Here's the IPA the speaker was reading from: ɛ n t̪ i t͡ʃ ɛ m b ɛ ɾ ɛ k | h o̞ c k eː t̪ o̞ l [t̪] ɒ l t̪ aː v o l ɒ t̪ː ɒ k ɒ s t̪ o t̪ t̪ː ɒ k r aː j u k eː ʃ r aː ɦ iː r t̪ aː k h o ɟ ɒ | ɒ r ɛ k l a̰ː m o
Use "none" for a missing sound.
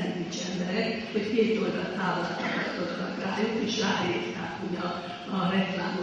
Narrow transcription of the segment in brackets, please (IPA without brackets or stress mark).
d̪